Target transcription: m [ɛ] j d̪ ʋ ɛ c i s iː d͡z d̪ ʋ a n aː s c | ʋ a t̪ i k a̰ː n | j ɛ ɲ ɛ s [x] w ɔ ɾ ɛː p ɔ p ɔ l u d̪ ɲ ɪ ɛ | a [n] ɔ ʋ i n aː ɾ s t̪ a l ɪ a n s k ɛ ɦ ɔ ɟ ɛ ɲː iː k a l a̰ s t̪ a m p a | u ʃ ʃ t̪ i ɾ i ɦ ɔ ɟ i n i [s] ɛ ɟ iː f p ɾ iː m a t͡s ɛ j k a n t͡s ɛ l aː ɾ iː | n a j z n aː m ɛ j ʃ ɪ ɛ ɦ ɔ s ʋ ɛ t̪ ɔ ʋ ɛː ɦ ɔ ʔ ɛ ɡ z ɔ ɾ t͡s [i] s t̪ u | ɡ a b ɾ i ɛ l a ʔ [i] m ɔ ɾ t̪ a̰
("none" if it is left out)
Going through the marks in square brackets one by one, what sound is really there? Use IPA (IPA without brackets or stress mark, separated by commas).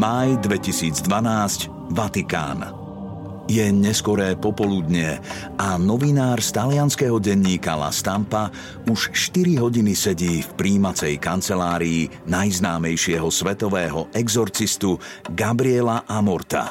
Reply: a, k, n, s, i, a